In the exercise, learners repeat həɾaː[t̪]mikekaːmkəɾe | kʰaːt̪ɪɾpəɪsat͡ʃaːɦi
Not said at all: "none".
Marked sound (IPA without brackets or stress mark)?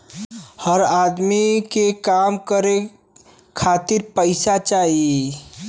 d̪